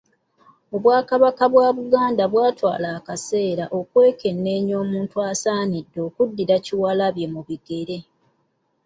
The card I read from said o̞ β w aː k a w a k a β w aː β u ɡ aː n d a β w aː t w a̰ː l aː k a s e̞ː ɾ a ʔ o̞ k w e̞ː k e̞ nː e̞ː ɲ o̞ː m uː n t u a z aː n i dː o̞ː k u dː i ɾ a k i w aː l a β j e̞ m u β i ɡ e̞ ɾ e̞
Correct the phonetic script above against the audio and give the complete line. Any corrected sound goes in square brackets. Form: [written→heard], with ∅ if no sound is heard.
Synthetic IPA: o̞ β w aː k a [w→β] a k a β w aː β u ɡ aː n d a β w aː t w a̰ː l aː k a s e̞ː ɾ a ʔ o̞ k w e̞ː k e̞ nː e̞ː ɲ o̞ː m uː n t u a [z→s] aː n i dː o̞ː k u dː i ɾ a [k→c] i w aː l a β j e̞ m u β i ɡ e̞ ɾ e̞